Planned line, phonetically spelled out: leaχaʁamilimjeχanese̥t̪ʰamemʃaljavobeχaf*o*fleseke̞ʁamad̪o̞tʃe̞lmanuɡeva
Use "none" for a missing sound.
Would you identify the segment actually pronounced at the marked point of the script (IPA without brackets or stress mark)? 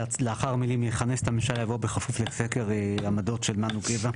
u